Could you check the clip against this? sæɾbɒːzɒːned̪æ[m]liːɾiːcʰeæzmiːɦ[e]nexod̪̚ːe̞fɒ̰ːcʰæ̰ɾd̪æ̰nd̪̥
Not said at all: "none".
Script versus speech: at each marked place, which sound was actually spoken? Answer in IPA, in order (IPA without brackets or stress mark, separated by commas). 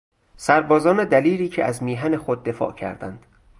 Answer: none, æ